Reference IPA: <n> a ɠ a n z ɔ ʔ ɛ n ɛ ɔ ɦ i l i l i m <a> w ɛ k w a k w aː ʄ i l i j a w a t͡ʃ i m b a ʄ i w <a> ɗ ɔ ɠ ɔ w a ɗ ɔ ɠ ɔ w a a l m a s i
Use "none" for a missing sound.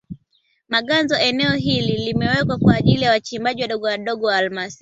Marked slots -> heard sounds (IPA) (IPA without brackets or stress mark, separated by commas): m, ɛ, a